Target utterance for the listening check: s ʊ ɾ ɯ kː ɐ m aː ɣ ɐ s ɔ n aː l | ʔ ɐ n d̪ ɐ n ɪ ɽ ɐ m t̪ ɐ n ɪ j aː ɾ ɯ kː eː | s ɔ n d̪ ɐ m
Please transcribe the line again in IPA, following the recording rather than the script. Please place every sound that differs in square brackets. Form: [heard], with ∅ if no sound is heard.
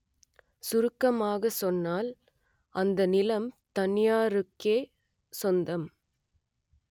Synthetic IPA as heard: s ʊ ɾ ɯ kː ɐ m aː ɣ ɐ s ɔ [nː] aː l | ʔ ɐ n d̪ ɐ n ɪ [l] ɐ m t̪ ɐ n ɪ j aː ɾ ɯ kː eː | s ɔ n d̪ ɐ m